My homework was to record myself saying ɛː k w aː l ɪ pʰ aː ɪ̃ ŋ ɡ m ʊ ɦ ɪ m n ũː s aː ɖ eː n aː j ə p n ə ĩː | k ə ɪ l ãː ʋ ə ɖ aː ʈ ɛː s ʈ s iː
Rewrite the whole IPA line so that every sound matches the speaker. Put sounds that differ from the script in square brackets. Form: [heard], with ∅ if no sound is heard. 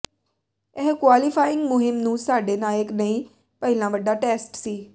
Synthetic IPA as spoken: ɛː k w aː l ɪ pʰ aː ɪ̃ ŋ ɡ m ʊ ɦ ɪ m n ũː s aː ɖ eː n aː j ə [k] n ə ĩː | [p] ə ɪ l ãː ʋ ə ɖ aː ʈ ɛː s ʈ s iː